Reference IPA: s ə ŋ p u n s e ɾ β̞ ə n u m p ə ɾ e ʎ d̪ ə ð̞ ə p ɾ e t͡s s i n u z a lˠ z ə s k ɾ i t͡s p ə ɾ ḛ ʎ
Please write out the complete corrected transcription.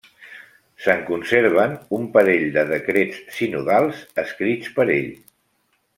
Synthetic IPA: s ə ŋ k u n s e ɾ β̞ ə n u m p ə ɾ e ʎ d̪ ə ð̞ ə k ɾ e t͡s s i n u ð a lˠ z ə s k ɾ i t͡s p ə ɾ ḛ ʎ